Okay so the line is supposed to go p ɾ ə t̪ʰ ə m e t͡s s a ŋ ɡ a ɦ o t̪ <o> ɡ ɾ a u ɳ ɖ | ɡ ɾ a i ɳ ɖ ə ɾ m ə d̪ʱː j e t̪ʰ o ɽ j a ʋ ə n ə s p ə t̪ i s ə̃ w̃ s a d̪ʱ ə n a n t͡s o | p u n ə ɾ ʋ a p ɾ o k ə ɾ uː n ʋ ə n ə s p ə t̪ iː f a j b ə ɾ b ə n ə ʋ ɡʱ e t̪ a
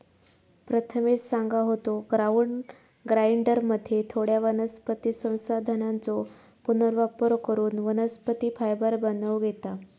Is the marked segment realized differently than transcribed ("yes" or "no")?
no